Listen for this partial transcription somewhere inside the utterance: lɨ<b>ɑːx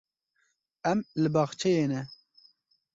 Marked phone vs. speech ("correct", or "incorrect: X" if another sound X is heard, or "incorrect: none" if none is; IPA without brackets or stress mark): correct